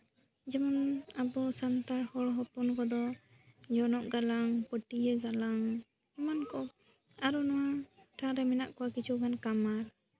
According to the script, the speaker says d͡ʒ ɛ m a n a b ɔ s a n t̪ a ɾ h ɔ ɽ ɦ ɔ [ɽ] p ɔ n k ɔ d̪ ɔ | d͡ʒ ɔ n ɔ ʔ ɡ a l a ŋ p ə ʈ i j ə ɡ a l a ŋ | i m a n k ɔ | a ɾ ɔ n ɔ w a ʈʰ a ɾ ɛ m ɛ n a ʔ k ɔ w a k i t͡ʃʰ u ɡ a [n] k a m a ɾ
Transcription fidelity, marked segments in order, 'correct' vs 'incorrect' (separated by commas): incorrect, correct